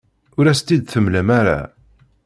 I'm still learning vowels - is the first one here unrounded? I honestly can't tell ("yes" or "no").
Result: no